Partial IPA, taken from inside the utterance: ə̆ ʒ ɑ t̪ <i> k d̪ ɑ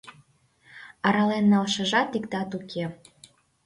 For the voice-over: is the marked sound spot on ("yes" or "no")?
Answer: yes